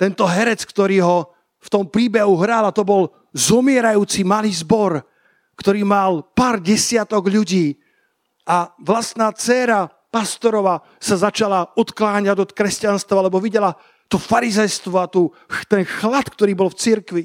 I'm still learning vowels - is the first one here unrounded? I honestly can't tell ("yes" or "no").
yes